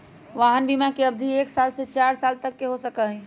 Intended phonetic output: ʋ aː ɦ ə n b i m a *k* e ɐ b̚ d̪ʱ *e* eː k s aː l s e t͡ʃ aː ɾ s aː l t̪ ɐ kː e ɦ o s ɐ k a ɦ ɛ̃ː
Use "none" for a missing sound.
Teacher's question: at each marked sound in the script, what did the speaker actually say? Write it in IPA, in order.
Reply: k, i

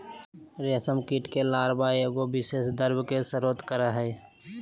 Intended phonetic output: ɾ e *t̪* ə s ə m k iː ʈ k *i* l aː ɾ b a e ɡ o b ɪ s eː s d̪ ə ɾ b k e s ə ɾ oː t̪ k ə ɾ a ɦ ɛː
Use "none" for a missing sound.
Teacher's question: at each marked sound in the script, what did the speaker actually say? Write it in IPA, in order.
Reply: none, e

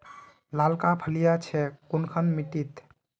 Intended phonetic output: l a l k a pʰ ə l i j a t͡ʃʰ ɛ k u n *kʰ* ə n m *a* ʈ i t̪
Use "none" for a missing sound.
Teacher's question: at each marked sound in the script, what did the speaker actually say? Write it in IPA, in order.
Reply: kʰ, i

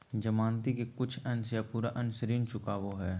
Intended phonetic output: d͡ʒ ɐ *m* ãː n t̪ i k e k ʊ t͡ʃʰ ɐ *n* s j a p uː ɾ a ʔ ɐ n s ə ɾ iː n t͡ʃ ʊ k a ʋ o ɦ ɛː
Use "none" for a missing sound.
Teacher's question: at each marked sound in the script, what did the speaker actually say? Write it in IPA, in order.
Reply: m, n

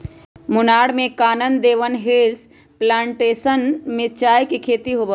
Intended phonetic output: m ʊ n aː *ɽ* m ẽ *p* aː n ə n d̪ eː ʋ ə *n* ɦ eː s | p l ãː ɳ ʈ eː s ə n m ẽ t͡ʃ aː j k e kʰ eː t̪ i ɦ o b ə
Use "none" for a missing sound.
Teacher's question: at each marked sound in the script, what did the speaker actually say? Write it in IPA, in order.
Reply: ɽ, k, n

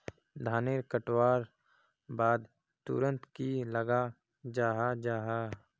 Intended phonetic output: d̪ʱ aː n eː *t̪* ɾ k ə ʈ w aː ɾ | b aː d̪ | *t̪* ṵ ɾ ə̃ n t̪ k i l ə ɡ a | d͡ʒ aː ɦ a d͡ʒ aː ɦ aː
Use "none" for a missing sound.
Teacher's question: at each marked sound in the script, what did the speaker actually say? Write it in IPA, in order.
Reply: none, t̪

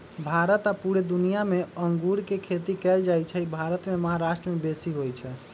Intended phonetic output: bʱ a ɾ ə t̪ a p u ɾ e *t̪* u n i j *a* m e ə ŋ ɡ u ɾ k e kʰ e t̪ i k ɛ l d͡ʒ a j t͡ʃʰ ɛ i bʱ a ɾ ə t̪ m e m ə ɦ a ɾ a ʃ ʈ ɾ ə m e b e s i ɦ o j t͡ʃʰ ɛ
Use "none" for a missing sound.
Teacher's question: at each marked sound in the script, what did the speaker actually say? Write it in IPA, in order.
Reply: d̪, a

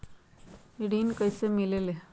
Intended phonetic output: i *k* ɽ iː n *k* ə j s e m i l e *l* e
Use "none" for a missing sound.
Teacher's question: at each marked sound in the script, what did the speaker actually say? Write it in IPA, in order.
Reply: none, k, l

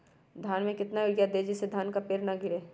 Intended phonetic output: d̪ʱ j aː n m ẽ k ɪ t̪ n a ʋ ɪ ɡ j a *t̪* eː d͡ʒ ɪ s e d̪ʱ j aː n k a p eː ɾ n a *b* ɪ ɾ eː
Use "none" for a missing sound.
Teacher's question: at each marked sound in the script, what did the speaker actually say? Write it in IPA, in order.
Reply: d̪, ɡ

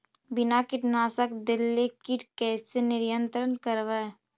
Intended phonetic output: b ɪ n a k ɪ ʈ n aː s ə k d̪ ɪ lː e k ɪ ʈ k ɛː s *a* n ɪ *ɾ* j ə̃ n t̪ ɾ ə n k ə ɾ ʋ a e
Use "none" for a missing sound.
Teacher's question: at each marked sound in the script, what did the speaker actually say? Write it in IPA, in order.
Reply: e, ɾ

